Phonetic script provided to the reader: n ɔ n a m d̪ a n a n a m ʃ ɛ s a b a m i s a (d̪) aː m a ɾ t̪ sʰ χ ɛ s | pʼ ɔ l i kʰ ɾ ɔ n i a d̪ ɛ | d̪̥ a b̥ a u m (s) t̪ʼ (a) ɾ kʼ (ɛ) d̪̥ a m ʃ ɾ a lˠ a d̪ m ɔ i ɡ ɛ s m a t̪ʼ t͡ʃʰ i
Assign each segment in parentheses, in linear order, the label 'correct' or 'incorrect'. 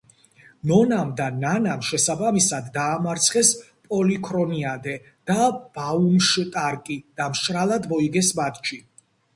incorrect: d̪ː, incorrect: ʃ, correct, incorrect: i

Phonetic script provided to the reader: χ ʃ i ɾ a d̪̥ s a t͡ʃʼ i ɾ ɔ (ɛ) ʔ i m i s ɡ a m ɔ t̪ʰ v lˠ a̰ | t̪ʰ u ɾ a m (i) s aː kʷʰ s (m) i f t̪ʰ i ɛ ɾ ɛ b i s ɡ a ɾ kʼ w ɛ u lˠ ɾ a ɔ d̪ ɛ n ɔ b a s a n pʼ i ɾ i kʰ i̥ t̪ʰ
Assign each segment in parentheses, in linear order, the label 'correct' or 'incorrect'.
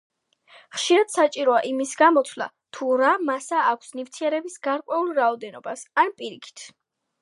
incorrect: a, incorrect: a, incorrect: n

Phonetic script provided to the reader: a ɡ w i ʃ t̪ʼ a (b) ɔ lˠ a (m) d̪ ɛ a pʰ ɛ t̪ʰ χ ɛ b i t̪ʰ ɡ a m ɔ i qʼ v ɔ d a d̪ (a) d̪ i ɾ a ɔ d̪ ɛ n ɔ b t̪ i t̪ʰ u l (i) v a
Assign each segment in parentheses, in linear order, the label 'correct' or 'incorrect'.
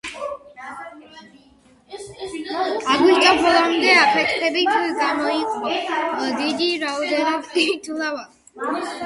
correct, correct, incorrect: i, incorrect: a

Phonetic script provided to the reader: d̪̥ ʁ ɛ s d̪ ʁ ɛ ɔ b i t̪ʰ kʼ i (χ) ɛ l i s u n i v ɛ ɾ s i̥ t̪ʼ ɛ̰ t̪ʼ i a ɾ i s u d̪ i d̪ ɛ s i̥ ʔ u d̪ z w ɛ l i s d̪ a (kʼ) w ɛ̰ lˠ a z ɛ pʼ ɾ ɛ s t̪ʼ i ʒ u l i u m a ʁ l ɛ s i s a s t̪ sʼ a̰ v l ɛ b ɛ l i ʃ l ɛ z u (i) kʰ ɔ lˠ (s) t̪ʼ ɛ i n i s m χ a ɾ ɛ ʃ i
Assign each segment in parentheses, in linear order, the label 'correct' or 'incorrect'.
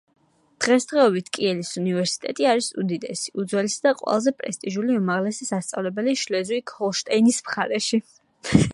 incorrect: none, incorrect: qʼ, correct, incorrect: ʃ

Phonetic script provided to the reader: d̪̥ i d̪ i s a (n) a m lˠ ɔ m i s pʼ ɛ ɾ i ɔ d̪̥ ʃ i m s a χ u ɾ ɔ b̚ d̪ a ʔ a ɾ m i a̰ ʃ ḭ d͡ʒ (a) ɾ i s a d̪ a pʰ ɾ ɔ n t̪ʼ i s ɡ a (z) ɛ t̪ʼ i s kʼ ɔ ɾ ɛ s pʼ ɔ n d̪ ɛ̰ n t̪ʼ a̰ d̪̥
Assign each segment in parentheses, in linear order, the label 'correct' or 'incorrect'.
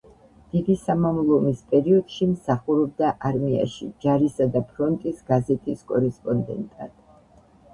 incorrect: m, correct, correct

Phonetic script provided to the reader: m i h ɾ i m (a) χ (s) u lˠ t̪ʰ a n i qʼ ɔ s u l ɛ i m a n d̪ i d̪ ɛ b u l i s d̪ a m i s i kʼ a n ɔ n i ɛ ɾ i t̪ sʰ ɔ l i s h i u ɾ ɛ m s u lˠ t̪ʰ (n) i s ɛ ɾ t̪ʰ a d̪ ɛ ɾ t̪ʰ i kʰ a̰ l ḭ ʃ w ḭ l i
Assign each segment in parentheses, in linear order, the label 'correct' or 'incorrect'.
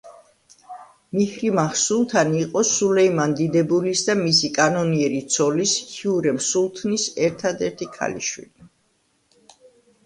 correct, correct, correct

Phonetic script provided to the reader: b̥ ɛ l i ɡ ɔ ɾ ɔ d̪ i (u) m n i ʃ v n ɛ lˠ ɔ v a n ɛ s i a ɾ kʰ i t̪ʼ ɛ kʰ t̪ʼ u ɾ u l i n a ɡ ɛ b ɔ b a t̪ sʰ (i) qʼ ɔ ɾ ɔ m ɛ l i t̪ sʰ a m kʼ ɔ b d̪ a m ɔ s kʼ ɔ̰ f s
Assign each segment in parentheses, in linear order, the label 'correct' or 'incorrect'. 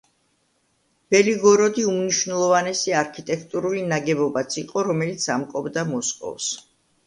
correct, correct

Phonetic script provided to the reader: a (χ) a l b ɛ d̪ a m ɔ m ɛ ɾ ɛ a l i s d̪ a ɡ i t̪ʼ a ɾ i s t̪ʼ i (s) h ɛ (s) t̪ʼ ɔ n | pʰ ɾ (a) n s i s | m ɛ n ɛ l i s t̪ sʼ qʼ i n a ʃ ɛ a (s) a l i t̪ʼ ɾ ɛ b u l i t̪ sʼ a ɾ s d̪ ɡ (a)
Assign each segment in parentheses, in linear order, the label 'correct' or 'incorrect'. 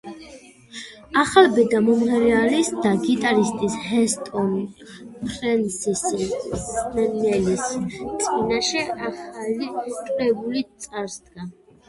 correct, correct, correct, incorrect: ɛ, incorrect: χ, correct

